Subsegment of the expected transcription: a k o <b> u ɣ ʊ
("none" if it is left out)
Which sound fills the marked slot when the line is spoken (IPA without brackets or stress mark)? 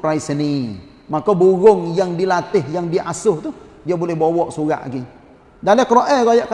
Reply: b